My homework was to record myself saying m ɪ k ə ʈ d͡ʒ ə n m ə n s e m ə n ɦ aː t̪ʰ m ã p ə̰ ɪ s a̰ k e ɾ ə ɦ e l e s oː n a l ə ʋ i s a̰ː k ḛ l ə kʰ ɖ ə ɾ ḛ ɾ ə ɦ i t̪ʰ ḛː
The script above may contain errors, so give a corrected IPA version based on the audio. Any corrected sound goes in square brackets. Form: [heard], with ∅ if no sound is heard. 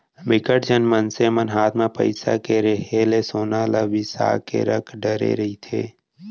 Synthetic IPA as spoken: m ɪ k ə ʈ d͡ʒ ə n m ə n s e m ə n ɦ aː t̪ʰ m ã p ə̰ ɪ s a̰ k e ɾ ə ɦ e l e s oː n a l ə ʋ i s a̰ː k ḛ [ɾ] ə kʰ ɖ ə ɾ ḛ ɾ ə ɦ i t̪ʰ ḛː